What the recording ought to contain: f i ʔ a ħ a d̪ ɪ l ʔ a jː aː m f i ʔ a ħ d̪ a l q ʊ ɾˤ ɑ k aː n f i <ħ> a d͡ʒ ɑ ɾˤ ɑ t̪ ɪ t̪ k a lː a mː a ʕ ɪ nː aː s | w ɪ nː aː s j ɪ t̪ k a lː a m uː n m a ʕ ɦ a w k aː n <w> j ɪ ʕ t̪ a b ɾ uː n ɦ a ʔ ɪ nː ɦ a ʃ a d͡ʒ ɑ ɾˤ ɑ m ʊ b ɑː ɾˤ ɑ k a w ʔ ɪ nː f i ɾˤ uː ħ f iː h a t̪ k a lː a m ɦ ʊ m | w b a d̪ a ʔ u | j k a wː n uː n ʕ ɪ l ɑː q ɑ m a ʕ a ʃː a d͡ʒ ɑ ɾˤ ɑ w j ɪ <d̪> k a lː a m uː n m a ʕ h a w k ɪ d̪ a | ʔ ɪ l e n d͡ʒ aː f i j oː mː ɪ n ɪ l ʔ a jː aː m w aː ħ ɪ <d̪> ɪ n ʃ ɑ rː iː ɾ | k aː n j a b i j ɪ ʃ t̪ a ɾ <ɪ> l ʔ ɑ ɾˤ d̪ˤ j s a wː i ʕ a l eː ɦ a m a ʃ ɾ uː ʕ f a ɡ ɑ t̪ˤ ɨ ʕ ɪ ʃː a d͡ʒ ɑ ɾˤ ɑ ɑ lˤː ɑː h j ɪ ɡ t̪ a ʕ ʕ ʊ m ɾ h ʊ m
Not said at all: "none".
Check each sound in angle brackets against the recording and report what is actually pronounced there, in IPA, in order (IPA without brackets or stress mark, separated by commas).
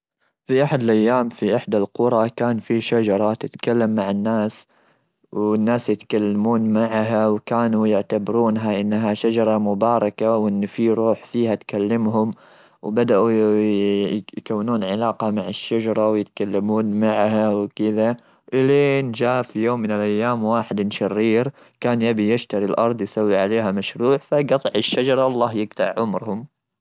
ʃ, u, t̪, d̪, i